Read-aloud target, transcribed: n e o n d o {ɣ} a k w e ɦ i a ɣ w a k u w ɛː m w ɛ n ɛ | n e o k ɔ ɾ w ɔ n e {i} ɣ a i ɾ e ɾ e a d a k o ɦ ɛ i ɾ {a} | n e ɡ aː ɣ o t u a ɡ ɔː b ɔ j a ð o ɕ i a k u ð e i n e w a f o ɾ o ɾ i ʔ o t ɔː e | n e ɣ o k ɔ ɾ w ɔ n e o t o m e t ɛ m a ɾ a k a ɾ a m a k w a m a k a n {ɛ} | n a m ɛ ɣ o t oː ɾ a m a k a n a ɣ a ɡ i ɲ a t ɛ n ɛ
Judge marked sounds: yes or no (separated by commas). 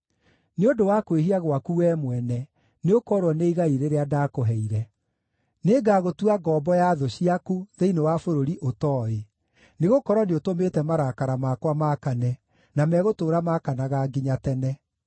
no, yes, no, yes